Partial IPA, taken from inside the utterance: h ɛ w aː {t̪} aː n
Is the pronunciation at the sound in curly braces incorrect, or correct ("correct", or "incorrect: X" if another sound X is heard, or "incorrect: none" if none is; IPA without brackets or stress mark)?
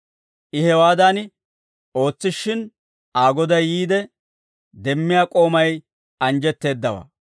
incorrect: d̪